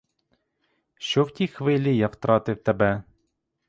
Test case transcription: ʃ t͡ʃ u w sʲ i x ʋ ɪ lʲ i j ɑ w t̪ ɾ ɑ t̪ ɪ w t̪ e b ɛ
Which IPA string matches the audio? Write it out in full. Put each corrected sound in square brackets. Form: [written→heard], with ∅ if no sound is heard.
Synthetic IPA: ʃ t͡ʃ [u→ɔ] w [sʲ→tʲ] i x ʋ ɪ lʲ i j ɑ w t̪ ɾ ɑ t̪ ɪ w t̪ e b ɛ

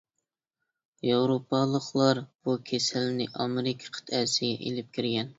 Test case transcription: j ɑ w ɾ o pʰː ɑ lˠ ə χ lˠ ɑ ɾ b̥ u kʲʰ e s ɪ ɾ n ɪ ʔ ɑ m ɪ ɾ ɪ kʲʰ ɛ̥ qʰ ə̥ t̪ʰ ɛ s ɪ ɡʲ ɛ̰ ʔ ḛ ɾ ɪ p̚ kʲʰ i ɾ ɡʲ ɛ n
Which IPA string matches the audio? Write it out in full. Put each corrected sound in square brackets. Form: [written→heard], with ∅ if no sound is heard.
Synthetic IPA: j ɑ w ɾ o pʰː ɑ lˠ ə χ lˠ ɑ ɾ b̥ u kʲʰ e s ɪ [ɾ→l] n ɪ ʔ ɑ m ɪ ɾ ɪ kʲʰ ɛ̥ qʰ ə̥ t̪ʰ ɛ s ɪ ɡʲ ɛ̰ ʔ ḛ [ɾ→l] ɪ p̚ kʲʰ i ɾ ɡʲ ɛ n

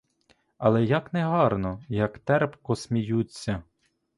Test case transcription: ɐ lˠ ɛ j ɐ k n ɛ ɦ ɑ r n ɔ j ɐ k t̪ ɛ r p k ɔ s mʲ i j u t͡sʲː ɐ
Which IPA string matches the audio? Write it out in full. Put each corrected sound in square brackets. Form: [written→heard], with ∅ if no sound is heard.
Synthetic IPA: ɐ lˠ ɛ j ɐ k n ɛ ɦ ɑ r n ɔ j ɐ k t̪ ɛ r p k ɔ s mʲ i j u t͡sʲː ɐ

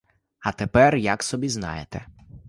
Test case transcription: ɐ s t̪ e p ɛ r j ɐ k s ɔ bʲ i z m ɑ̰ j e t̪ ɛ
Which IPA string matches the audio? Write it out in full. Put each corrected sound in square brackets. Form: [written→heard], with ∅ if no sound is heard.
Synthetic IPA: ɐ [s→∅] t̪ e p ɛ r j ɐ k s ɔ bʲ i z [m→n] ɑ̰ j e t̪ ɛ

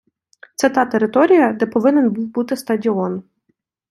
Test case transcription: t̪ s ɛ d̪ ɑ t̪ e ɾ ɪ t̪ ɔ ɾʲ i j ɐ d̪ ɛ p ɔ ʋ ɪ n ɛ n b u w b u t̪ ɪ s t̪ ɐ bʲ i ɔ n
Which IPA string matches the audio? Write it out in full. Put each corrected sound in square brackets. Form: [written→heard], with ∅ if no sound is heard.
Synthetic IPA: t̪ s ɛ [d̪→t̪] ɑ t̪ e ɾ ɪ t̪ ɔ ɾʲ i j ɐ d̪ ɛ p ɔ ʋ ɪ n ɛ n b u w b u t̪ ɪ s t̪ ɐ [bʲ→dʲ] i ɔ n

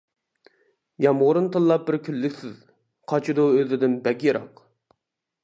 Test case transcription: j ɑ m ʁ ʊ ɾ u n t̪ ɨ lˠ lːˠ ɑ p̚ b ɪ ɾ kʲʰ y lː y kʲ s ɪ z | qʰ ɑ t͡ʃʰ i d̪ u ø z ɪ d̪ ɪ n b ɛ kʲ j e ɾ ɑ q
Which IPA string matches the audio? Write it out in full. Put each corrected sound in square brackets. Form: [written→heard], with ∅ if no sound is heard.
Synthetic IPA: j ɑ m ʁ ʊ ɾ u n t̪ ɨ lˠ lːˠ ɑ p̚ b ɪ ɾ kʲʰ y lː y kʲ s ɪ z | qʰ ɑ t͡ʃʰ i d̪ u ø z ɪ d̪ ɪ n b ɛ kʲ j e ɾ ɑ q

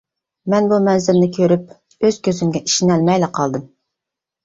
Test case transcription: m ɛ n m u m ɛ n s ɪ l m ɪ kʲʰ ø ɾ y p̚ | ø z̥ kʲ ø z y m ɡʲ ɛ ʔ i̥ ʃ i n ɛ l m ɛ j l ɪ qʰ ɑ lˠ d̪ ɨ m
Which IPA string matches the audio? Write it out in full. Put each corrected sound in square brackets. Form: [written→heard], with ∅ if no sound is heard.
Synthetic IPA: m ɛ n [m→b] u m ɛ n [s→z] ɪ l [m→n] ɪ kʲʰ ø ɾ y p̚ | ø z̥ kʲ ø z y m ɡʲ ɛ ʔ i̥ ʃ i n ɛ l m ɛ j l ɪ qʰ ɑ lˠ d̪ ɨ m

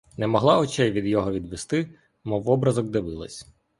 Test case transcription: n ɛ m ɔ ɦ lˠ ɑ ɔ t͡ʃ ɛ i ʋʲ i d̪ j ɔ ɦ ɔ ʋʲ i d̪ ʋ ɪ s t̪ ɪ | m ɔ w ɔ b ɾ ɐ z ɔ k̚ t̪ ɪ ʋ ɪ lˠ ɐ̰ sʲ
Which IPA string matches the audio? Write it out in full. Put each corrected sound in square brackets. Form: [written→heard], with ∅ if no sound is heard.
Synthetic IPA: n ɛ m ɔ ɦ lˠ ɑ ɔ t͡ʃ ɛ [i→j] ʋʲ i d̪ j ɔ ɦ ɔ ʋʲ i d̪ ʋ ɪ s t̪ ɪ | m ɔ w ɔ b ɾ ɐ z ɔ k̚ [t̪→d̪] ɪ ʋ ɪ lˠ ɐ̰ sʲ

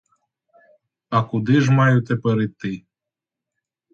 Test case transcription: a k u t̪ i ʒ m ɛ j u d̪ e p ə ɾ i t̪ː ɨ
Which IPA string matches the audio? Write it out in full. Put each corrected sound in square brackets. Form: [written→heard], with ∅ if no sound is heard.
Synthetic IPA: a k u [t̪→d̪] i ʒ m [ɛ→a] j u [d̪→t̪] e p ə ɾ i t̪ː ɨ

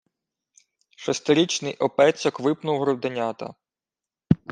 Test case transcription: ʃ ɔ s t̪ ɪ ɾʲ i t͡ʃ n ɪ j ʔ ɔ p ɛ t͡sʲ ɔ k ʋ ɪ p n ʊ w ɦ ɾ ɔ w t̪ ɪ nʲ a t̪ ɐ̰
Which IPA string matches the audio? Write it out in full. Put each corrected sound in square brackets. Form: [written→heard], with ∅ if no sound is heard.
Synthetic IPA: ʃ ɔ s t̪ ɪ ɾʲ i t͡ʃ n ɪ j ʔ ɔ p ɛ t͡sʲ ɔ k ʋ ɪ p n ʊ w ɦ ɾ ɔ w [t̪→d̪] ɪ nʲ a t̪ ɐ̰

